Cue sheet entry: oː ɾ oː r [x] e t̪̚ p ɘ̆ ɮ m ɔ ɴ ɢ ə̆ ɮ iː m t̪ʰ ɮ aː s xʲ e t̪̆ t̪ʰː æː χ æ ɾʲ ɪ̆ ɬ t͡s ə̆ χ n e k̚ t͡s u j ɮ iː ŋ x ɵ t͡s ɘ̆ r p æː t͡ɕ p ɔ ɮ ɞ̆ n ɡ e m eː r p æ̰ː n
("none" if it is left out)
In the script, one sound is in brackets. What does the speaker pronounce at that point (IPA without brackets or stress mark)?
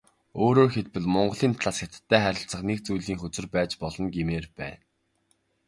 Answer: x